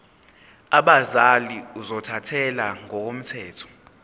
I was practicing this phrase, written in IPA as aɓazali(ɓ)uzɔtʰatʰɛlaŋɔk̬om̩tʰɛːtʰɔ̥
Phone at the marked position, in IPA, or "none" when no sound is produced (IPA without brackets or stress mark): none